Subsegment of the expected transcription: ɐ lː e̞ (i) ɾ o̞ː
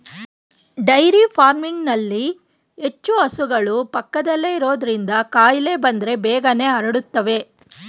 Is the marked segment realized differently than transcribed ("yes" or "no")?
no